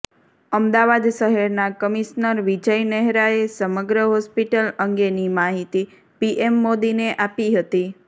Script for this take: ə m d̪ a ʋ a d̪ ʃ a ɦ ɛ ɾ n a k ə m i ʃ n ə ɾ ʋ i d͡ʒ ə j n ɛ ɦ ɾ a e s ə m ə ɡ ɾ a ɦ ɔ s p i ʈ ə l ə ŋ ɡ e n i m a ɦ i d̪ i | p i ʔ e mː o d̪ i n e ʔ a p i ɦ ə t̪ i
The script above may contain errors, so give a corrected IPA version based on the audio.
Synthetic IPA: ə m d̪ a ʋ a d̪ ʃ ə ɦ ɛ ɾ n a k ə m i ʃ n ə ɾ ʋ i d͡ʒ ə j n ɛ ɦ ɾ a e s ə m ə ɡ ɾ ə ɦ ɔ s p i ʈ ə l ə ŋ ɡ e n i m a ɦ i t̪ i | p i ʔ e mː o d̪ i n e ʔ a p i ɦ ə t̪ i